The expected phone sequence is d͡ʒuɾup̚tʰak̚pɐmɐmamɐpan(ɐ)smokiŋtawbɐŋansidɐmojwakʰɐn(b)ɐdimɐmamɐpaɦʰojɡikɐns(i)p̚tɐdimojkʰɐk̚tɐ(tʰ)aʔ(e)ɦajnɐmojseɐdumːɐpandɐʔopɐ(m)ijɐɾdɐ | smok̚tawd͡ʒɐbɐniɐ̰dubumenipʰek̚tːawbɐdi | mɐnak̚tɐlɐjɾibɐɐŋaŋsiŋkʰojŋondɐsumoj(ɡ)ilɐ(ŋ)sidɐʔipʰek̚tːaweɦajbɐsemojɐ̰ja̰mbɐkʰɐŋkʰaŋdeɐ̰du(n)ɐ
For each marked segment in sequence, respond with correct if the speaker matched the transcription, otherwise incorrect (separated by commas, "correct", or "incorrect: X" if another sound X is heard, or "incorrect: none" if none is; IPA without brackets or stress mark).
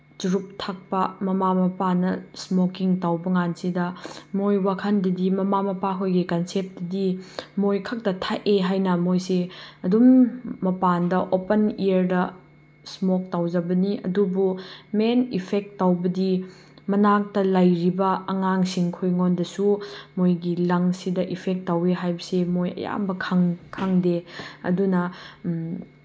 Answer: correct, incorrect: d, incorrect: e, correct, correct, incorrect: n, correct, correct, correct